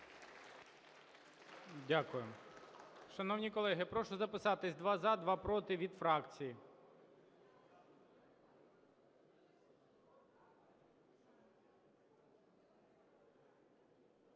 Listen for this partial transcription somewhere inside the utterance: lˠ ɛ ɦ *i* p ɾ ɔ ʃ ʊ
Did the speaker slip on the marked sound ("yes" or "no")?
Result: yes